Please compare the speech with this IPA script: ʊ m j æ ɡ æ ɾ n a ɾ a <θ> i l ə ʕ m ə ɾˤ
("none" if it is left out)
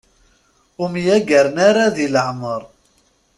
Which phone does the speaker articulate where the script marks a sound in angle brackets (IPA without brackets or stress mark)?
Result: ð